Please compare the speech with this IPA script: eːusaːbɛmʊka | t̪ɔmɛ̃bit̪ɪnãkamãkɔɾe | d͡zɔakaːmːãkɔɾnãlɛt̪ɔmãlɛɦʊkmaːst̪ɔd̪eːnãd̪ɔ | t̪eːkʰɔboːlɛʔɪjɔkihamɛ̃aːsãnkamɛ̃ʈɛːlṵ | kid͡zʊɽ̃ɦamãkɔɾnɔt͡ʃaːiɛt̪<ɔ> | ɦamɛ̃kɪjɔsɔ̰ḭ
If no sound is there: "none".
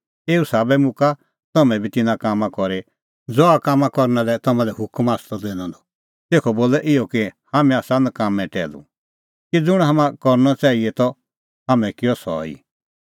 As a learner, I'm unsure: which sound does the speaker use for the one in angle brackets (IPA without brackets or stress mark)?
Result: ɔ